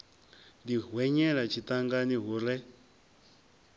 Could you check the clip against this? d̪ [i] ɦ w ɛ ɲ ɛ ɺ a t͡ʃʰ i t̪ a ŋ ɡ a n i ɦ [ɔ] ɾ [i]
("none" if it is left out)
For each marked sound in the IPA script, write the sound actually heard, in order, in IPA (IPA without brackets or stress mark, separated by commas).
i, u, ɛ